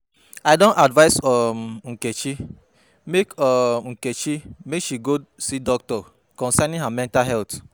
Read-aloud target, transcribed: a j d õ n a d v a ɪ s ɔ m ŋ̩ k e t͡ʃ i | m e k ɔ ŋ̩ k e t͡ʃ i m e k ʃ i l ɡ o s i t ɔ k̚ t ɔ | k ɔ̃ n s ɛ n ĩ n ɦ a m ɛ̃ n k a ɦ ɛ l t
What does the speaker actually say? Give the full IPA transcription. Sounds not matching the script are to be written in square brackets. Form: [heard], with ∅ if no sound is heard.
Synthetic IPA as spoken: a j d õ n a d v a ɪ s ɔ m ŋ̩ k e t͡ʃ i | m e k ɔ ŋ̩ k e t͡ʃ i m e k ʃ i [∅] ɡ o s i [d] ɔ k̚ t ɔ | k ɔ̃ n s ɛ n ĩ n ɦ a m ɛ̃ n [t] a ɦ ɛ l t